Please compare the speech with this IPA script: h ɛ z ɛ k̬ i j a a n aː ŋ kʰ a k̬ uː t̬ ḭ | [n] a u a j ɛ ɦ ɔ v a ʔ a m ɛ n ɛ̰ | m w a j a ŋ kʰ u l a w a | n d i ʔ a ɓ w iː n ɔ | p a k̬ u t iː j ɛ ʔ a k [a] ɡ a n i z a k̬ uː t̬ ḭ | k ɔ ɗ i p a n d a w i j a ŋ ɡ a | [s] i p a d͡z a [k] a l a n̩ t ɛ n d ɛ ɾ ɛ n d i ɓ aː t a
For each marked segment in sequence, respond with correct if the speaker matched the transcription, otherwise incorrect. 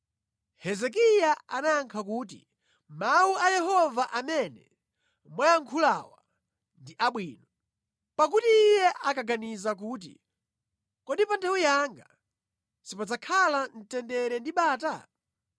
incorrect, correct, correct, incorrect

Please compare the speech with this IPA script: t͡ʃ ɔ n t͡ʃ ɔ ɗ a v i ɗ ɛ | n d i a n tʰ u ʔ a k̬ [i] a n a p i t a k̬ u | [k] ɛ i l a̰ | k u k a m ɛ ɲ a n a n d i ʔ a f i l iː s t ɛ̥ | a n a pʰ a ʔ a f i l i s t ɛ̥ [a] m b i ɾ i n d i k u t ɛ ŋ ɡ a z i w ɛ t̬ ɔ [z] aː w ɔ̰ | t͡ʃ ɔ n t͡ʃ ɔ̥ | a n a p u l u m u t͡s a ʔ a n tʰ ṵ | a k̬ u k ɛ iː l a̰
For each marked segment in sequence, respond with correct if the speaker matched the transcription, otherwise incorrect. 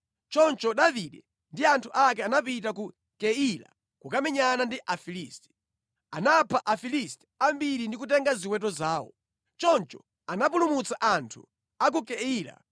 incorrect, correct, correct, correct

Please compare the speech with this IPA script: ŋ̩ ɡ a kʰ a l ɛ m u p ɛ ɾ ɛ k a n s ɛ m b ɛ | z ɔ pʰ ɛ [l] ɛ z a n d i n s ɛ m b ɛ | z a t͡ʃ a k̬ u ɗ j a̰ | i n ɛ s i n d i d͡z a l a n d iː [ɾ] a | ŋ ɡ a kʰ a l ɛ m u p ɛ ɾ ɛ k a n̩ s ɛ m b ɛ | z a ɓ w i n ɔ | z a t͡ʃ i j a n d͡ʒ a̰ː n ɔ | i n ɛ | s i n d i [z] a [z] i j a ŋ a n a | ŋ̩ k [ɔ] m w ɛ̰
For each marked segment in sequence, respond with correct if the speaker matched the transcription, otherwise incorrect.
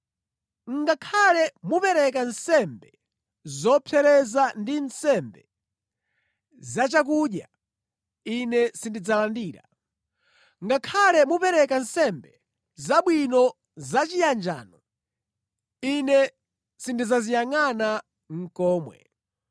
incorrect, correct, correct, correct, incorrect

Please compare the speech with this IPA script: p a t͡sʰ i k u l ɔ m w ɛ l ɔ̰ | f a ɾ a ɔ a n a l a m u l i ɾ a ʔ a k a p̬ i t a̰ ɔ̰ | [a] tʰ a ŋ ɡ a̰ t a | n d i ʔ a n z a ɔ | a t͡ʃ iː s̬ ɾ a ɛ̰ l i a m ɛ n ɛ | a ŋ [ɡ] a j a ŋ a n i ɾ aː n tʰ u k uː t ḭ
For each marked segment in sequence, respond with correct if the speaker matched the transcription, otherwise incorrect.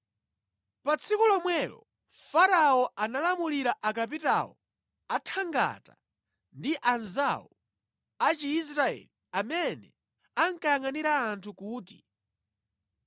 correct, incorrect

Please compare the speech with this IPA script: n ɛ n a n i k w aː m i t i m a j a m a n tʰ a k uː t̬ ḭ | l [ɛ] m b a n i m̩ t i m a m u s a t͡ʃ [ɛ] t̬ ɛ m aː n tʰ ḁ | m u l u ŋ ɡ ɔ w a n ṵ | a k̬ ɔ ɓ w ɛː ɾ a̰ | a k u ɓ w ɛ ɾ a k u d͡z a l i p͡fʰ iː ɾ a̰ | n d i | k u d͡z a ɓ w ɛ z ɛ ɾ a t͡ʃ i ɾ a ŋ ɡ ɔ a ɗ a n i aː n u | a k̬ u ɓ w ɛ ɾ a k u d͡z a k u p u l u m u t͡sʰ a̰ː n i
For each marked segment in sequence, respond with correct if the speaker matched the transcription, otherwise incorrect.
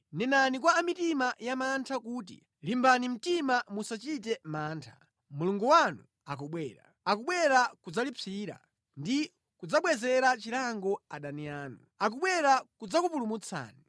incorrect, incorrect

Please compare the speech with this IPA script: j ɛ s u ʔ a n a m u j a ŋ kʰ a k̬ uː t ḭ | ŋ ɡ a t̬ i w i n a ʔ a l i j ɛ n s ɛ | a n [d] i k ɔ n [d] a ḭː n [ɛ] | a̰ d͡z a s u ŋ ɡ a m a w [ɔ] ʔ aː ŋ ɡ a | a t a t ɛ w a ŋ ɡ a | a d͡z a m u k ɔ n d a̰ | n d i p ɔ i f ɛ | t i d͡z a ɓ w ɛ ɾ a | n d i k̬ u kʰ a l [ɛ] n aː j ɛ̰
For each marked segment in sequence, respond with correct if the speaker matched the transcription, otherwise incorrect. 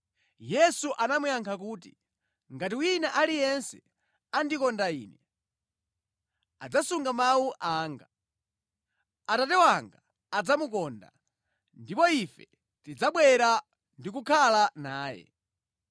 correct, correct, correct, incorrect, incorrect

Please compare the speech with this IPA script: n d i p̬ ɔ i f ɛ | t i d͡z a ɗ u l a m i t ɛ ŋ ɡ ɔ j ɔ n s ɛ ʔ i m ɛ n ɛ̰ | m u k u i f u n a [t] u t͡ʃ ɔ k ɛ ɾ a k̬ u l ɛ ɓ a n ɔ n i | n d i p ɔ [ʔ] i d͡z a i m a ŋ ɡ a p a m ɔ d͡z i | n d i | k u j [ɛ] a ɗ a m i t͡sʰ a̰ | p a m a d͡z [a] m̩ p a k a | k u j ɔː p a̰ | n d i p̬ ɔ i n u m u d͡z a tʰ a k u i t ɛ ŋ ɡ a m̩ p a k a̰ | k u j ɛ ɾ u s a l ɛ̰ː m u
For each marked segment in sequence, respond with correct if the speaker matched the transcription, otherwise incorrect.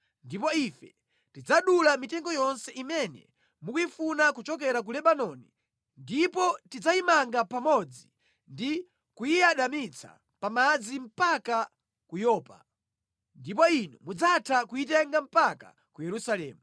incorrect, incorrect, incorrect, incorrect

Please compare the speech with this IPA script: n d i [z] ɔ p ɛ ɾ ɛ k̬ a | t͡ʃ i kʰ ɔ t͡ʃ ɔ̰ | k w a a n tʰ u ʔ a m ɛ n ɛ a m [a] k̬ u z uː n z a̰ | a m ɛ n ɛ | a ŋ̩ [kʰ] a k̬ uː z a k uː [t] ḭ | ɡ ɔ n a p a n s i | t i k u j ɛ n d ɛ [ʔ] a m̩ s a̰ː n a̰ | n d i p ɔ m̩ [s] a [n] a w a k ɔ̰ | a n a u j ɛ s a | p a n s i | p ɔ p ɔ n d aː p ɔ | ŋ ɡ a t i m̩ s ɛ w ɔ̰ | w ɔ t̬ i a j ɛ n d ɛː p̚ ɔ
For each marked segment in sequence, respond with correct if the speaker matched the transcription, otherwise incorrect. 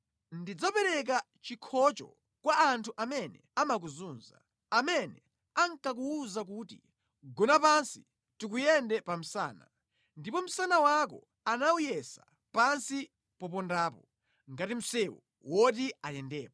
incorrect, correct, incorrect, correct, incorrect, correct, correct

